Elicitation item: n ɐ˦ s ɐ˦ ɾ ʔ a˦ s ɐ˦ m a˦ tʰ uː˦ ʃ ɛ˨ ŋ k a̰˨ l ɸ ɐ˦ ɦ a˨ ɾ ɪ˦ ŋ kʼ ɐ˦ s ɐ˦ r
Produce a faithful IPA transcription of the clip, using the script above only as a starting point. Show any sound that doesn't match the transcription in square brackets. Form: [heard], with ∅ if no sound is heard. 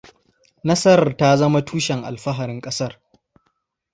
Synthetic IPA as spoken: n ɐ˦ s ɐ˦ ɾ [t] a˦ [z] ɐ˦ m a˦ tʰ uː˦ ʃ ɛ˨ ŋ [ʔ] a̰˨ l ɸ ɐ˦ ɦ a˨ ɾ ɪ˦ ŋ kʼ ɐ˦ s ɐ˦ r